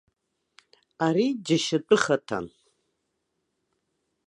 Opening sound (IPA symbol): a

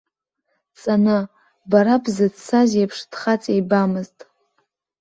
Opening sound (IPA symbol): t͡sʼ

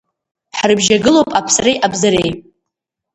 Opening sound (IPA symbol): ħ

